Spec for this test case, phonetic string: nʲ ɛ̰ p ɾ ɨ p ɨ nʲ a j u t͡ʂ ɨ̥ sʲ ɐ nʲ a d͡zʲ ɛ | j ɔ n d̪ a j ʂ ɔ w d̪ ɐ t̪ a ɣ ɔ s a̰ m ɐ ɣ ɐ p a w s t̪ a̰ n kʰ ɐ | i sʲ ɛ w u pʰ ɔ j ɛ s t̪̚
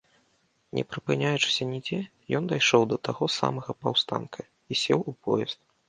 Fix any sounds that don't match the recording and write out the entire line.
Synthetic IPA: nʲ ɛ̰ p ɾ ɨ p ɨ nʲ a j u t͡ʂ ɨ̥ sʲ ɐ nʲ i d͡zʲ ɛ | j ɔ n d̪ a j ʂ ɔ w d̪ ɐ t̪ a ɣ ɔ s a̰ m ɐ ɣ ɐ p a w s t̪ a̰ n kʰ ɐ | i sʲ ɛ w u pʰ ɔ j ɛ s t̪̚